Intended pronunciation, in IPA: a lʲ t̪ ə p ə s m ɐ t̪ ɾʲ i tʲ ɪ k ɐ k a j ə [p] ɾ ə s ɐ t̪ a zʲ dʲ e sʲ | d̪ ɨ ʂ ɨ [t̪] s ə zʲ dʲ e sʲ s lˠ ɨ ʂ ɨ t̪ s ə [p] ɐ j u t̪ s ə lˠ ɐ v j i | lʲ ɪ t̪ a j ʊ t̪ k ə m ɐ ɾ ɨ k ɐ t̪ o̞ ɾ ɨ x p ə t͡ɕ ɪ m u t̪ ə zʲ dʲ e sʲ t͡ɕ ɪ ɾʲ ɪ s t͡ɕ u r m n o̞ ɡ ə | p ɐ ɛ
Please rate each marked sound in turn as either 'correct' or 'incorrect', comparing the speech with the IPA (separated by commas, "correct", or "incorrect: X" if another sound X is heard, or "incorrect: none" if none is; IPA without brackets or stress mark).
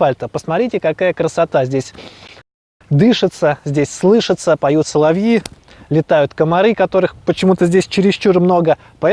incorrect: k, correct, correct